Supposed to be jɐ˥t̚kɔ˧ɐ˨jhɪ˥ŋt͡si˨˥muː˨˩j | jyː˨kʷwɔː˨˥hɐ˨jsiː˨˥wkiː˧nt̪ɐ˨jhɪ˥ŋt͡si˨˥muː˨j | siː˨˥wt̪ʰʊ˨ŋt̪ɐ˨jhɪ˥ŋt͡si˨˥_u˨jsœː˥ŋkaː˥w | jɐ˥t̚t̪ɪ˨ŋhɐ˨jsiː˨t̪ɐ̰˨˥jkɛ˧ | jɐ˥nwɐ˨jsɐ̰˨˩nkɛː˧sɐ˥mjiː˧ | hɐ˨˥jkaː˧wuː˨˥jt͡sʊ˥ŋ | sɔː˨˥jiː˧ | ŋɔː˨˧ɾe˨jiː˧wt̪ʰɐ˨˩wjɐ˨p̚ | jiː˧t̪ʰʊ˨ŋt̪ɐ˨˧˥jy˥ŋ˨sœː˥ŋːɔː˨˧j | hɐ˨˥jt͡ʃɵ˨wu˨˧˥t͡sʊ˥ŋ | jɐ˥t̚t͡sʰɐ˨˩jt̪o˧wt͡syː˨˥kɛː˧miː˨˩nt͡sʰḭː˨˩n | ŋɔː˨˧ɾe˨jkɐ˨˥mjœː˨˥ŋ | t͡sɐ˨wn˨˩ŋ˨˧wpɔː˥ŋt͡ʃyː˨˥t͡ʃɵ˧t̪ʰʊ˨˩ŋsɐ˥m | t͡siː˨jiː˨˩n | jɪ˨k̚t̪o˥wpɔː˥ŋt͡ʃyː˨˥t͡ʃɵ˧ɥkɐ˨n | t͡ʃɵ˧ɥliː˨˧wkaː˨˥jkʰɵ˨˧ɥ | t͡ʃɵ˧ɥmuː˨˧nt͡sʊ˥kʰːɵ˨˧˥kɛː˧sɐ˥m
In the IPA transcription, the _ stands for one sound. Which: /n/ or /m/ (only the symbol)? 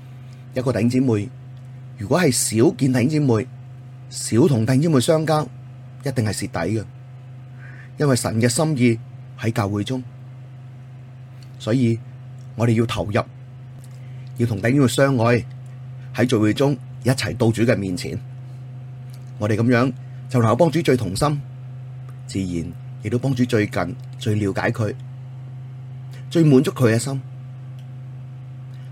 m